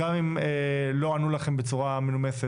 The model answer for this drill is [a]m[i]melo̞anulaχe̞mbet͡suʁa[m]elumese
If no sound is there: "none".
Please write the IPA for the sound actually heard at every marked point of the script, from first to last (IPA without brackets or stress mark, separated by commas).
a, i, m